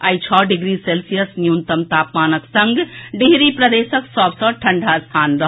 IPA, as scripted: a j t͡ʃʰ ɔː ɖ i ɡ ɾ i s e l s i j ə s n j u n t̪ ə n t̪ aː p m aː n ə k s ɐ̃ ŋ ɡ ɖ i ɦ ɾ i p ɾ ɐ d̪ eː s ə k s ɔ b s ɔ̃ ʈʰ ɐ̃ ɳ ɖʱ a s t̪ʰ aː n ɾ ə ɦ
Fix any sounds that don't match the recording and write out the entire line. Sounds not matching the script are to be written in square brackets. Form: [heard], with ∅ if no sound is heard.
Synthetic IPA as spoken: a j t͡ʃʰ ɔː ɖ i ɡ ɾ i s e l s i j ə s n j u n t̪ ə [m] t̪ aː p m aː n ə k s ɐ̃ ŋ ɡ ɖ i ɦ ɾ i p ɾ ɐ d̪ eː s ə k s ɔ b s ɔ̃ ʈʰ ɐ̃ ɳ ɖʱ a s t̪ʰ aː n ɾ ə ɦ